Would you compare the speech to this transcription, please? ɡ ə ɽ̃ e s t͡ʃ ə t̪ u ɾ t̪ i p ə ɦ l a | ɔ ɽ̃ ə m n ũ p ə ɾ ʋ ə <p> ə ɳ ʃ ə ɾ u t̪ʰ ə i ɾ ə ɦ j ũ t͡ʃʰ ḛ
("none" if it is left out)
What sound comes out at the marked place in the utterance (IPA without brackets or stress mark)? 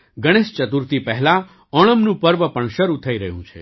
p